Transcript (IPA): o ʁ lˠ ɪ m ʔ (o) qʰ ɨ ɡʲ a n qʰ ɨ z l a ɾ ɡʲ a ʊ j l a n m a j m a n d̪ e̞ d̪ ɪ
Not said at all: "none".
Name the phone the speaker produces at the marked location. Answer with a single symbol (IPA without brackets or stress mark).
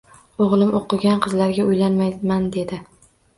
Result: o